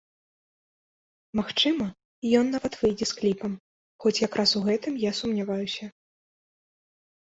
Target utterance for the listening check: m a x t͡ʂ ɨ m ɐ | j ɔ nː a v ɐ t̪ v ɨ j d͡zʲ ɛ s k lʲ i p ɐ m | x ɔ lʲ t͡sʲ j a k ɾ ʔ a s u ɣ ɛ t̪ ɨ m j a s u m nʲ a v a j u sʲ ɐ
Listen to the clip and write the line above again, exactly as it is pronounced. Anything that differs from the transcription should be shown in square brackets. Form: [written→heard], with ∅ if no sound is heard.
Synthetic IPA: m a x t͡ʂ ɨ m ɐ | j ɔ nː a v ɐ t̪ v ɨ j d͡zʲ ɛ s k lʲ i p ɐ m | x ɔ [lʲ→∅] t͡sʲ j a k ɾ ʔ a s u ɣ ɛ t̪ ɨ m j a s u m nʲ a v a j u sʲ ɐ